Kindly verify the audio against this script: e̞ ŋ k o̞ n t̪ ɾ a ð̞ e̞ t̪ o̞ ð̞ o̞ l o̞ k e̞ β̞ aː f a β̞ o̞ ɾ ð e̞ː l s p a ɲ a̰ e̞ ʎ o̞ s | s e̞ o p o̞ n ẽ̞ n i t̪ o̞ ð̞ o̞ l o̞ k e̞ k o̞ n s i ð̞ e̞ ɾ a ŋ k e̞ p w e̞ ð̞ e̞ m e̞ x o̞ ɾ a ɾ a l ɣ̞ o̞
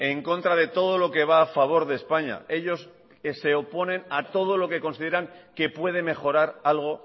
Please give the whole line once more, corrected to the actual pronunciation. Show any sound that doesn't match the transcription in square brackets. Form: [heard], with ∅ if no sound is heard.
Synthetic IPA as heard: e̞ ŋ k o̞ n t̪ ɾ a ð̞ e̞ t̪ o̞ ð̞ o̞ l o̞ k e̞ β̞ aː f a β̞ o̞ ɾ ð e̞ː [∅] s p a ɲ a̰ e̞ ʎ o̞ s | s e̞ o p o̞ n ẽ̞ n [a] t̪ o̞ ð̞ o̞ l o̞ k e̞ k o̞ n s i ð̞ e̞ ɾ a ŋ k e̞ p w e̞ ð̞ e̞ m e̞ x o̞ ɾ a ɾ a l ɣ̞ o̞